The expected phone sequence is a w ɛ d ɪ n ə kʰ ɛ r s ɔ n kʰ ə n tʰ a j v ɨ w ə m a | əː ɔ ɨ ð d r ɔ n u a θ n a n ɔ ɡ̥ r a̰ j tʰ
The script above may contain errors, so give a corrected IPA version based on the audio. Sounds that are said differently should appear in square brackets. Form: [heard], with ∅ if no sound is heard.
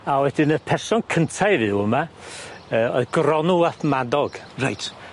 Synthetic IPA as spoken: a w ɛ d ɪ n ə [pʰ] ɛ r s ɔ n kʰ ə n tʰ a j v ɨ w ə m a | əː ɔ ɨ ð [ɡ] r ɔ n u a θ [m] a [d] ɔ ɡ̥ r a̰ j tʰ